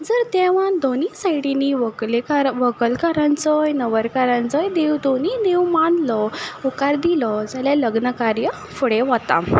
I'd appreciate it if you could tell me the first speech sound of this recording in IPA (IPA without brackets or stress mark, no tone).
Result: d͡z